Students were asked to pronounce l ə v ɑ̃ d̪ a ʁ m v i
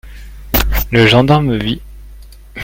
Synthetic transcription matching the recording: l ə ʒ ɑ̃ d̪ a ʁ m v i